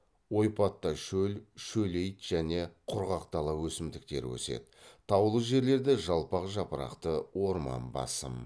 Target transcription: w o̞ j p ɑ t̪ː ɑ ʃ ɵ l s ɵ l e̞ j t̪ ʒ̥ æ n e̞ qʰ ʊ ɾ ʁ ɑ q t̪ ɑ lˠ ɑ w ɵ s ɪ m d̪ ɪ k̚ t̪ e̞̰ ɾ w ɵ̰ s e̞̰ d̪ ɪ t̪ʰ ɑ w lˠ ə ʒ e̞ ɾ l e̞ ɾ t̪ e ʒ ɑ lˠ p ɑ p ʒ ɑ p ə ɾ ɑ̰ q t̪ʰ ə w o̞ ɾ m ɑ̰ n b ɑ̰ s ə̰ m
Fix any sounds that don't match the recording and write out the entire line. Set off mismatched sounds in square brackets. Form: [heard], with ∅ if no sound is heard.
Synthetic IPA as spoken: w o̞ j p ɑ t̪ː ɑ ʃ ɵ l [ʃ] ɵ l e̞ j t̪ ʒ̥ æ n e̞ qʰ ʊ ɾ ʁ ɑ q t̪ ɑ lˠ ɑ w ɵ s ɪ m d̪ ɪ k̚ t̪ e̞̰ ɾ w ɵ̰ s e̞̰ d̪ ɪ t̪ʰ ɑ w lˠ ə ʒ e̞ ɾ l e̞ ɾ [d̪] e ʒ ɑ lˠ p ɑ [q] ʒ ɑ p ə ɾ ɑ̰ q [t̪] ə w o̞ ɾ m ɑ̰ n b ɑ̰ s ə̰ m